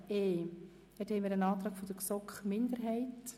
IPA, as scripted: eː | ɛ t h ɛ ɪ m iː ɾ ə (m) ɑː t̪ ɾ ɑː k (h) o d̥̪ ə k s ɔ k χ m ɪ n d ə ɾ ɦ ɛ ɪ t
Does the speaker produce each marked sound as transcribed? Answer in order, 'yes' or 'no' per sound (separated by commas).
no, no